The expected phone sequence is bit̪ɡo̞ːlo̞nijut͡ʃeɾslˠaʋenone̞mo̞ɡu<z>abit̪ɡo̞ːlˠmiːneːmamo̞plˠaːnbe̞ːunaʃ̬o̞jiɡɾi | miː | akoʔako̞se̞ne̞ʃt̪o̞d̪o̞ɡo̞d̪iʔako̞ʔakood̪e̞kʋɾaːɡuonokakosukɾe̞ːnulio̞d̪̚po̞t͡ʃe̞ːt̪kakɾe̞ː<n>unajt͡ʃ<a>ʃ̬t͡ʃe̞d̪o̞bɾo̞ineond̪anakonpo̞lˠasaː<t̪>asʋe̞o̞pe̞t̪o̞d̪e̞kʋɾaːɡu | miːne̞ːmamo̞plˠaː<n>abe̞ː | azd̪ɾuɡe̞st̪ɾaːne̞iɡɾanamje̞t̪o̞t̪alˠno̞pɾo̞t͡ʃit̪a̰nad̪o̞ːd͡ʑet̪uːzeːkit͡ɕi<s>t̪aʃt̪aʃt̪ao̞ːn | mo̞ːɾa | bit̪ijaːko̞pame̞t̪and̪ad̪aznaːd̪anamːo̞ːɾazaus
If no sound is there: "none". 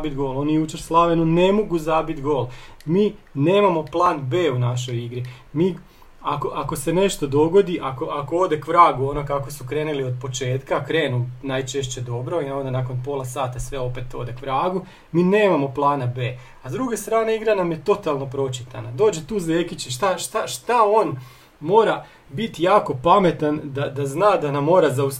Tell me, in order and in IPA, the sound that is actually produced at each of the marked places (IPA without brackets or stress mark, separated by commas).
z, n, e, t̪, n, ʃ